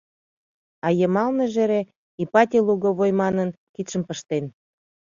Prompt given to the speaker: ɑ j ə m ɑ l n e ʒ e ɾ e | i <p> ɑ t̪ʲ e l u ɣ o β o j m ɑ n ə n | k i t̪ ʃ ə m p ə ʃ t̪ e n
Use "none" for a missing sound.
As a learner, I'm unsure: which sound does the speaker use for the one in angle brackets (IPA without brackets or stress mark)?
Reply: p